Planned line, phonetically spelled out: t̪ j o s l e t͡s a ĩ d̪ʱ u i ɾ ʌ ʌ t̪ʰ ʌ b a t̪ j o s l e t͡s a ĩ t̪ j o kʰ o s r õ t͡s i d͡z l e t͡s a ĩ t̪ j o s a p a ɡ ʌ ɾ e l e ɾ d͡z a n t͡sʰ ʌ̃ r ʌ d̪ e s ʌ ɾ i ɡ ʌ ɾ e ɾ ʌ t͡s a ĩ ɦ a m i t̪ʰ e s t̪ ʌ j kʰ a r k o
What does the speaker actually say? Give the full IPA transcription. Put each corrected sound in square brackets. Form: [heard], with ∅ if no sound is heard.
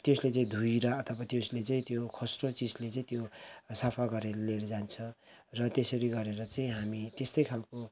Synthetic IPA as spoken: t̪ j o s l e t͡s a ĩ d̪ʱ u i ɾ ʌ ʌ t̪ʰ ʌ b a t̪ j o s l e t͡s a ĩ t̪ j o kʰ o s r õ t͡s i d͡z l e t͡s a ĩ t̪ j o s a [pʰ] a ɡ ʌ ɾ e l e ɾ d͡z a n t͡sʰ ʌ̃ r ʌ [t̪] e s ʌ ɾ i ɡ ʌ ɾ e ɾ ʌ t͡s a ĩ ɦ a m i [t̪] e s t̪ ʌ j kʰ a [l] k o